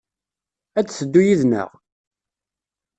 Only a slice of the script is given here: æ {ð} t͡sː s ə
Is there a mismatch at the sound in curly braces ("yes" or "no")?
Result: yes